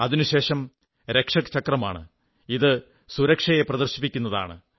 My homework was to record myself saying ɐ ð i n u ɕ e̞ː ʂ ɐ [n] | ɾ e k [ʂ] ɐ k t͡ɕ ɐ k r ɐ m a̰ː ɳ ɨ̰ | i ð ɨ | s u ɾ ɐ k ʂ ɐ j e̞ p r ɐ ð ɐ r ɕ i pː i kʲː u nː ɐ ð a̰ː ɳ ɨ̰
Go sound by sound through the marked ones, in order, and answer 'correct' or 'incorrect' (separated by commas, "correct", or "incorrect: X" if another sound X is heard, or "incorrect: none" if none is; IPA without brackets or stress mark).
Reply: incorrect: m, correct